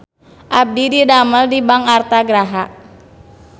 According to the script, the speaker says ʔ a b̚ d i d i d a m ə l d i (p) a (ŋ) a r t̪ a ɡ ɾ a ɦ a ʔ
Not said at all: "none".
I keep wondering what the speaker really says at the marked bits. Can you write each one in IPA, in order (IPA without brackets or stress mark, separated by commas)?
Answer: b, ŋ